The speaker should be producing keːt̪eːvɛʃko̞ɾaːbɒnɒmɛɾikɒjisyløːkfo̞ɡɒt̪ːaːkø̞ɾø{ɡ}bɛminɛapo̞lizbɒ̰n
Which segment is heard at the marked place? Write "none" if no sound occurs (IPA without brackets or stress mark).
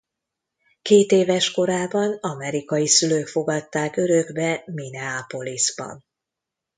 ɡ